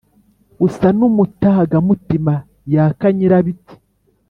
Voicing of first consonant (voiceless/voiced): voiceless